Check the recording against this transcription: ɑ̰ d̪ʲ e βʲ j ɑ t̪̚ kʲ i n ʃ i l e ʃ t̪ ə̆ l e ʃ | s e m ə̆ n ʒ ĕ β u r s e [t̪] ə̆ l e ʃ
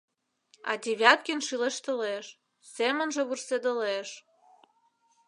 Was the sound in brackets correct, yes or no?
no